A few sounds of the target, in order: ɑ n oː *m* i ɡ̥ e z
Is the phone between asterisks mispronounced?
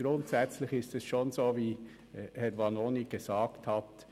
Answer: yes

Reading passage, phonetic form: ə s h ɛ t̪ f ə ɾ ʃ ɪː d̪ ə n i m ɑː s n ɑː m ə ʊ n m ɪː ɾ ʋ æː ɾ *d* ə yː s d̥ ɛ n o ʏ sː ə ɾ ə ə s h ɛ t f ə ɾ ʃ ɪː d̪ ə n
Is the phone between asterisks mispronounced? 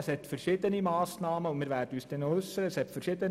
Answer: no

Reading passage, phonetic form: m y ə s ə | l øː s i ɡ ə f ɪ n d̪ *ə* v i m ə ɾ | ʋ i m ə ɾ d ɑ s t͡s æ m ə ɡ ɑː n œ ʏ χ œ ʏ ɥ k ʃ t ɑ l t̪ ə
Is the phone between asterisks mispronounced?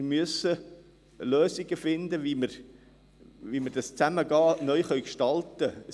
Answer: no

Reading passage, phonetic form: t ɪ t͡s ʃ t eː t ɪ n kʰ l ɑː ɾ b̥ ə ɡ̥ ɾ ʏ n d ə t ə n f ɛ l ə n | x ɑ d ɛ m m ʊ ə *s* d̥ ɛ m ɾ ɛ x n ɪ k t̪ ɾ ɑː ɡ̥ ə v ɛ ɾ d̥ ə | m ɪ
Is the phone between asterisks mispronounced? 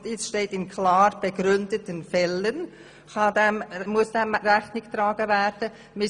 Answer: no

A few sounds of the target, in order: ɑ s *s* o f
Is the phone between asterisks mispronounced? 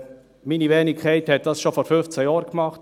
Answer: yes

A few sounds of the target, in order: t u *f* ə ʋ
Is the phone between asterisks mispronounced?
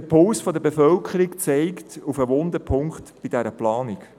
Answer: no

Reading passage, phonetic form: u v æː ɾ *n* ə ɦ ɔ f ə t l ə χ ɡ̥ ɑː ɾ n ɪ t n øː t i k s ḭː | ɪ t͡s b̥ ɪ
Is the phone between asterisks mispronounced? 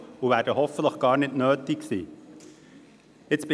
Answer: yes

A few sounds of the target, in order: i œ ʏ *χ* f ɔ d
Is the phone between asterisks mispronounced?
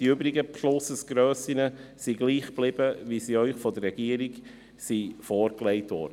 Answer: no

